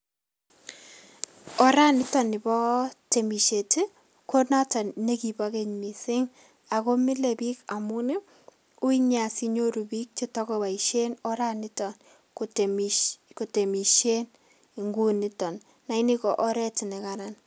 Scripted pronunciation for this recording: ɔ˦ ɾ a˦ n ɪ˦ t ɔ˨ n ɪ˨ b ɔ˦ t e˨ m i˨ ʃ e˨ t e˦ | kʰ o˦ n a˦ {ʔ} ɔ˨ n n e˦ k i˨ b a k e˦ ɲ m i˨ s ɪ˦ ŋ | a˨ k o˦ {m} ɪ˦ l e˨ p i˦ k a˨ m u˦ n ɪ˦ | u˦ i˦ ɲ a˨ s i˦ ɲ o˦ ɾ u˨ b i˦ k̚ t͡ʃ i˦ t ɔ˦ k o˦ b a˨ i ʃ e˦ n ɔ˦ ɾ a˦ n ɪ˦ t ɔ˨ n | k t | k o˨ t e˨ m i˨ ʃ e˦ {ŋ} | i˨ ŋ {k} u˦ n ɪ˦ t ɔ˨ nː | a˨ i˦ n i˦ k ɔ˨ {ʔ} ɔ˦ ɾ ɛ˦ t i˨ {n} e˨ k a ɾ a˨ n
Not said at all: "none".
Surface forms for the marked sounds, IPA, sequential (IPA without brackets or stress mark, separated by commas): t, m, n, ɡ, ʔ, n